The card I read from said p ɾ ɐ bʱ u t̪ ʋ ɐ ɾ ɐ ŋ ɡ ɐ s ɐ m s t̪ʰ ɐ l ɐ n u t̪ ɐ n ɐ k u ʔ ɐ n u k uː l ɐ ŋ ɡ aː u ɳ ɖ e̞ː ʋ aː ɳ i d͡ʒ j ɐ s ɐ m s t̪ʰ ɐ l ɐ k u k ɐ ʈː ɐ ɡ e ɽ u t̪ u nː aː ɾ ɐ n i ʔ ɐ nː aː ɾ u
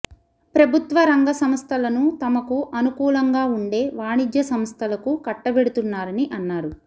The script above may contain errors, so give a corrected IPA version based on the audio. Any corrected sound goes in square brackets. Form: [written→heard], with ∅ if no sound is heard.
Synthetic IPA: p ɾ ɐ bʱ u t̪ ʋ ɐ ɾ ɐ ŋ ɡ ɐ s ɐ m s t̪ʰ ɐ l ɐ n u t̪ ɐ [n→m] ɐ k u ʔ ɐ n u k uː l ɐ ŋ ɡ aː u ɳ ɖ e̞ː ʋ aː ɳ i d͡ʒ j ɐ s ɐ m s t̪ʰ ɐ l ɐ k u k ɐ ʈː ɐ [ɡ→b] e ɽ u t̪ u nː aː ɾ ɐ n i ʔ ɐ nː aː ɾ u